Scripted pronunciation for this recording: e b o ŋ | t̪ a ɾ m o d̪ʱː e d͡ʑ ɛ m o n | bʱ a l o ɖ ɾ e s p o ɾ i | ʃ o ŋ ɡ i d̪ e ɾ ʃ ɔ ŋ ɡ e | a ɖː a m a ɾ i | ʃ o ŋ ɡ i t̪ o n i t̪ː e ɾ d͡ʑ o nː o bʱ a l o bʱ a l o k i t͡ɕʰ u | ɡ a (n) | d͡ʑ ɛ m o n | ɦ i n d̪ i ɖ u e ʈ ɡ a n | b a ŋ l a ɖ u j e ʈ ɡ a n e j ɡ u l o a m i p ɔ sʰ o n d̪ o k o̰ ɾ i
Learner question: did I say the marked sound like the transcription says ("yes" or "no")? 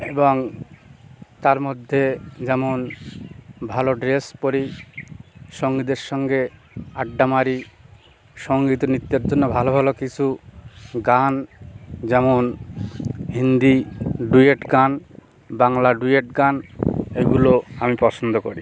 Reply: yes